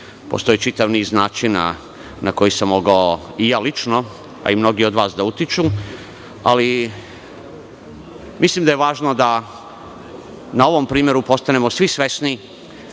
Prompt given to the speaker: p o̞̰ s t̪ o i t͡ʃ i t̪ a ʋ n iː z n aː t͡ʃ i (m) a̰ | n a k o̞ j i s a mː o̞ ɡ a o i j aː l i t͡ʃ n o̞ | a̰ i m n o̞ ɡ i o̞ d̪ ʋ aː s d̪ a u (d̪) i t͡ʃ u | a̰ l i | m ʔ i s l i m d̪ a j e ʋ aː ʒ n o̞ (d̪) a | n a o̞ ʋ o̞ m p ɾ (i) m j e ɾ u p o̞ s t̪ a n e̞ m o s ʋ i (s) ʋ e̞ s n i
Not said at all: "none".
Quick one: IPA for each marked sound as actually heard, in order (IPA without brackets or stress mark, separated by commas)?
n, t̪, d̪, iː, s